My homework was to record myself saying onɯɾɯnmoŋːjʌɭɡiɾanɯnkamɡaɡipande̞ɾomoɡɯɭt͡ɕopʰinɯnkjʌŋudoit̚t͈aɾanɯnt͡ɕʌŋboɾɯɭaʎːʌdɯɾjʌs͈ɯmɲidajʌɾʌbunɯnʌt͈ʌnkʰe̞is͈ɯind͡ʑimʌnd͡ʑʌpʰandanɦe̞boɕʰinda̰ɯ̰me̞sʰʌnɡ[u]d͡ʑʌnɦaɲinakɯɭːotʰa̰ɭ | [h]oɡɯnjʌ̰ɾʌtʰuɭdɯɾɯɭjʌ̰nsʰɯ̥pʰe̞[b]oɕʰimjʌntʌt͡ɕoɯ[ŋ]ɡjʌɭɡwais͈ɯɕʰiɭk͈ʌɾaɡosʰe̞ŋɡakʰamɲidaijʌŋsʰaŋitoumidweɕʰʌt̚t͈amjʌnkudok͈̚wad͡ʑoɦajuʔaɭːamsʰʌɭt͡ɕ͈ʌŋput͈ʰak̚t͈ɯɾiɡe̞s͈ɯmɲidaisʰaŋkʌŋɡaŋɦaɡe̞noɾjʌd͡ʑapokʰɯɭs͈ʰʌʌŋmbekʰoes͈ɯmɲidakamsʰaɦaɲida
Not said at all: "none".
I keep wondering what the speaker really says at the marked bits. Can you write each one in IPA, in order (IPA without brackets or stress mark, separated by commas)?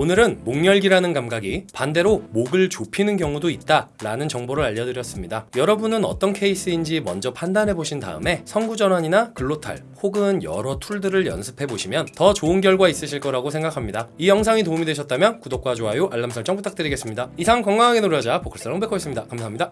u, h, b, n